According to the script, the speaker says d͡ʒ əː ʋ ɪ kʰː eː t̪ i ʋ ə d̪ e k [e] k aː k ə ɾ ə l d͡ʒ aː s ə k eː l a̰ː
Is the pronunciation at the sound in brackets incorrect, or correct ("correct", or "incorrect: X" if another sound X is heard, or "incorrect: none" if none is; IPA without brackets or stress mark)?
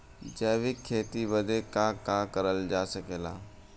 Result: incorrect: a